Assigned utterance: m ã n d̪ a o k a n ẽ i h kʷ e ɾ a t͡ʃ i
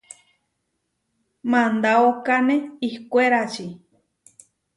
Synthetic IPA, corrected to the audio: m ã n d̪ a o k a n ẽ i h kʷ e ɾ a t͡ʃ i